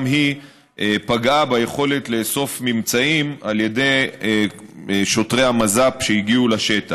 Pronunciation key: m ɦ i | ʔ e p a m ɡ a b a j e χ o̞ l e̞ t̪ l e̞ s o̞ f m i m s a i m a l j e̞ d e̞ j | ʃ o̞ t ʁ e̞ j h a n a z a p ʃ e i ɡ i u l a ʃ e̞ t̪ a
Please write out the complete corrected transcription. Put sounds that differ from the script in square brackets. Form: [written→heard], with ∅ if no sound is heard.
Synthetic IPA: m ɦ i | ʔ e p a [m→∅] ɡ a b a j e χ o̞ l e̞ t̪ l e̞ s o̞ f m i m [s→t͡s] a i m a l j e̞ d e̞ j | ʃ o̞ t ʁ e̞ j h a [n→m] a z a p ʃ e i ɡ i u l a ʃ e̞ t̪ a